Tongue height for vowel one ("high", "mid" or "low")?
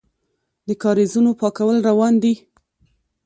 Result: mid